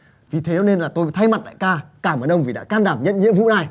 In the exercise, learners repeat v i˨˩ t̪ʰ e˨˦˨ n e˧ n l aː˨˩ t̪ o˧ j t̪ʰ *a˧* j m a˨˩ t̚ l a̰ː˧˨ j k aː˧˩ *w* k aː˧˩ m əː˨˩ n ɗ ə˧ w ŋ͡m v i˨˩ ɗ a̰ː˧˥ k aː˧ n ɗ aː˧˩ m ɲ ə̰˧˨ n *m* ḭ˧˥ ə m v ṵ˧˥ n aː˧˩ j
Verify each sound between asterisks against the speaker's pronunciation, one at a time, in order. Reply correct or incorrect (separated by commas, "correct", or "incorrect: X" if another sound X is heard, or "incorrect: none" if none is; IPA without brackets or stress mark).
correct, incorrect: none, incorrect: ɲ